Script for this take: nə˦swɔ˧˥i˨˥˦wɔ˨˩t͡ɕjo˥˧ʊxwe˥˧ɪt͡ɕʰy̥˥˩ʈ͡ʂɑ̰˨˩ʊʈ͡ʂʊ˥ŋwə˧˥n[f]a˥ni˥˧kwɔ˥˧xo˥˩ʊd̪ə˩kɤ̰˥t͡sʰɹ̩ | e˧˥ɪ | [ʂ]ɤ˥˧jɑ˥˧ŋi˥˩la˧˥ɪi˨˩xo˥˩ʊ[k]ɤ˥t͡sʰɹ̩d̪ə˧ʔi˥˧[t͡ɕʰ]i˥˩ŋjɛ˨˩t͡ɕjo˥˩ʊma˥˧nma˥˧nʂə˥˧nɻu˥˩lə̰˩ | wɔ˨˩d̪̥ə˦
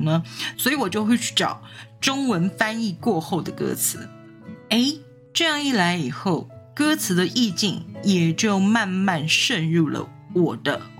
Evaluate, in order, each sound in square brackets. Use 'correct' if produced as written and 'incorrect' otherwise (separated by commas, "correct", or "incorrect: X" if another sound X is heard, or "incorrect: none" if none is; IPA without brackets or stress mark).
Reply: correct, incorrect: ʈ͡ʂ, correct, incorrect: t͡ɕ